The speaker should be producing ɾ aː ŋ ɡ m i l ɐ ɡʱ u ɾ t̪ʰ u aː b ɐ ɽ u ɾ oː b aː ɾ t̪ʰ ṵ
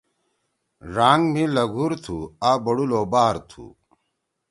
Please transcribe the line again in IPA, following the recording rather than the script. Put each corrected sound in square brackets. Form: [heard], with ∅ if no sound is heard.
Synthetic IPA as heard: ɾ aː ŋ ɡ m i l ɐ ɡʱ u ɾ t̪ʰ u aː b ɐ ɽ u [l] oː b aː ɾ t̪ʰ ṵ